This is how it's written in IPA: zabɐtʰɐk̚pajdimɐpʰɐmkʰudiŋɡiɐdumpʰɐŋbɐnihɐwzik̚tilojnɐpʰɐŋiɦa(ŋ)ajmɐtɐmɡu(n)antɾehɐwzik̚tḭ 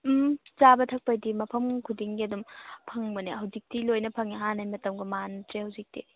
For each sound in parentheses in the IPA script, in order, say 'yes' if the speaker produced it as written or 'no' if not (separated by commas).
no, no